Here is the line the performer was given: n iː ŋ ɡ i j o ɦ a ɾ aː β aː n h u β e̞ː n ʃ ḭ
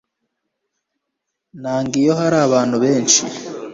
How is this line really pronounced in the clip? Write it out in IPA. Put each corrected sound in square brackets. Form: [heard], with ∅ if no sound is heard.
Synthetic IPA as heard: n [aː] ŋ ɡ i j o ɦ a ɾ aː β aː n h u β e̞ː n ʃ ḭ